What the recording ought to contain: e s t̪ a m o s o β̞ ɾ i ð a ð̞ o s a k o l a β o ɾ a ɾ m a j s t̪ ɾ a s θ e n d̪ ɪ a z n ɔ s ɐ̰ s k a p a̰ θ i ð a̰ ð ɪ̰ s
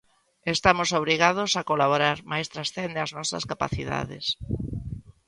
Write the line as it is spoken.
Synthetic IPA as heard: e s t̪ a m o s o β̞ ɾ i ɣ a ð̞ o s a k o l a β o ɾ a ɾ m a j s t̪ ɾ a s θ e n d̪ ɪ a z n ɔ s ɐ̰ s k a p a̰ θ i ð a̰ ð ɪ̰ s